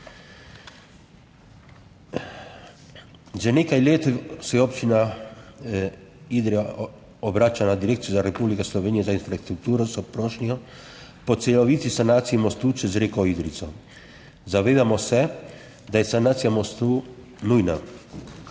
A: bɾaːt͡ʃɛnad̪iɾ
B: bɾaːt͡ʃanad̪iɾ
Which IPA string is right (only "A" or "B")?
B